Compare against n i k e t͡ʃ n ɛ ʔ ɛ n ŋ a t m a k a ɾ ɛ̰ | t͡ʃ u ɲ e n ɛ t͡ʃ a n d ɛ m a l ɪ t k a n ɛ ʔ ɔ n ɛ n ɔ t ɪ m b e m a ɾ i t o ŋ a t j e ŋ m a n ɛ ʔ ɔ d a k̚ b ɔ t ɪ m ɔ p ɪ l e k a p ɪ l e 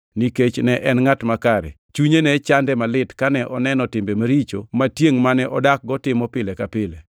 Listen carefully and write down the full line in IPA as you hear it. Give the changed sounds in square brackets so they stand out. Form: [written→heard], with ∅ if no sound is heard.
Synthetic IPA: n i k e t͡ʃ n ɛ ʔ ɛ n ŋ a t m a k a ɾ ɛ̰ | t͡ʃ u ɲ e n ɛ t͡ʃ a n d ɛ m a l ɪ t k a n ɛ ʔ ɔ n ɛ n ɔ t ɪ m b e m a ɾ i [t→t͡ʃ] o [ŋ→m] a t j e ŋ m a n ɛ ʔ ɔ d a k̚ [b→ɡ] ɔ t ɪ m ɔ p ɪ l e k a p ɪ l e